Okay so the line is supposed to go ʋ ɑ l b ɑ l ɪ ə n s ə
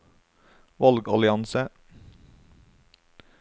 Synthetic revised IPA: ʋ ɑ l ɡ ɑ l ɪ ɑ n s ə